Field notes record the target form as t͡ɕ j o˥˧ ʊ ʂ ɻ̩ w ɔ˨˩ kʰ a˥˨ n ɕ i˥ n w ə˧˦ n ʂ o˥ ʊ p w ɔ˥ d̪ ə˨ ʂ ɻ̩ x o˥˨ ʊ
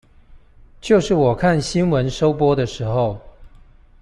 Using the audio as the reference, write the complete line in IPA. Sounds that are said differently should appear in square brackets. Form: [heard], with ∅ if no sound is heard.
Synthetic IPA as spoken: t͡ɕ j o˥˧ ʊ ʂ ɻ̩ w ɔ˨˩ kʰ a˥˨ n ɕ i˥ n w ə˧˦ n ʂ o˥ ʊ p w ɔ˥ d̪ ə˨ ʂ ɻ̩ x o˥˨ ʊ